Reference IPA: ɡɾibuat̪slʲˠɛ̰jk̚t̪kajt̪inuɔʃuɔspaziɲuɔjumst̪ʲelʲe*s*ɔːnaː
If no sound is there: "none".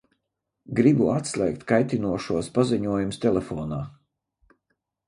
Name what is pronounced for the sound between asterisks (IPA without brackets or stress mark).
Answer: f